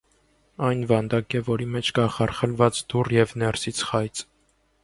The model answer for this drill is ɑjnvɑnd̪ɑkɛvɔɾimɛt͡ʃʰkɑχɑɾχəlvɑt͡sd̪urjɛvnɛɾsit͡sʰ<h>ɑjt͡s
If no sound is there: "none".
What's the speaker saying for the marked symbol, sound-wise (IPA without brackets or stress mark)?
χ